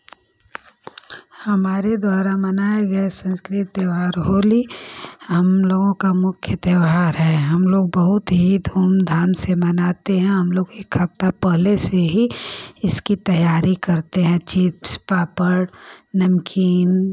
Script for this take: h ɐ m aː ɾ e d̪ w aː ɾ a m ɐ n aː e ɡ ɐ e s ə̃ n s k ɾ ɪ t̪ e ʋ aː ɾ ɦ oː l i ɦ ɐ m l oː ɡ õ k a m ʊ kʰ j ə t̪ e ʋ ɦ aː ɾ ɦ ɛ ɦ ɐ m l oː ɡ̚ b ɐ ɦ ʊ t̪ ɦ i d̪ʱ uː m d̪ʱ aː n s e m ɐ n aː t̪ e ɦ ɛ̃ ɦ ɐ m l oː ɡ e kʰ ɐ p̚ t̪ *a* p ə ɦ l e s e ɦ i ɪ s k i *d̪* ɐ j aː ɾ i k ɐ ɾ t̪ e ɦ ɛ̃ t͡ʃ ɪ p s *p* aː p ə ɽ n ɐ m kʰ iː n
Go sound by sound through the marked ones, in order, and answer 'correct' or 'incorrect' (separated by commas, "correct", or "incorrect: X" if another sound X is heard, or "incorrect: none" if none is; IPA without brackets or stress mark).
correct, incorrect: t̪, correct